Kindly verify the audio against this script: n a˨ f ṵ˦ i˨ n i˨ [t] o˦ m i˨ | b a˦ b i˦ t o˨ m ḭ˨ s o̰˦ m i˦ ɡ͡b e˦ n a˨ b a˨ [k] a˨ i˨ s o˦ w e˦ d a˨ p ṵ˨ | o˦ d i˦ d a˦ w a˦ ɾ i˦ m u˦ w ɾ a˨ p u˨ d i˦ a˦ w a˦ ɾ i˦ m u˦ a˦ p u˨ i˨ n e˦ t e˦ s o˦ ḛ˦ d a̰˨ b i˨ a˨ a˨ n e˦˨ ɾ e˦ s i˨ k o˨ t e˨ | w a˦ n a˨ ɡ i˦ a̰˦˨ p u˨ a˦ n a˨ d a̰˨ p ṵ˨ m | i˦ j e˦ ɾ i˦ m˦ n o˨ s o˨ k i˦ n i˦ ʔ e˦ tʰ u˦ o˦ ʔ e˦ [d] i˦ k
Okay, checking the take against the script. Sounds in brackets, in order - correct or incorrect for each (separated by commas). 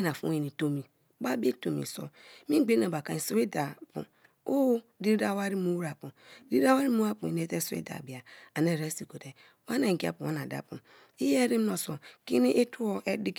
correct, correct, correct